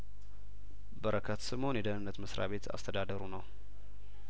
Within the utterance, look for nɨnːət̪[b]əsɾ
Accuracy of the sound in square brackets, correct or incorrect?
incorrect